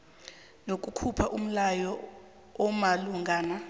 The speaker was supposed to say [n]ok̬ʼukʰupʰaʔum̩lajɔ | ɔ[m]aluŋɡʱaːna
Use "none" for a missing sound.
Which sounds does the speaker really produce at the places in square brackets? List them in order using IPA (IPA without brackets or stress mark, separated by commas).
n, m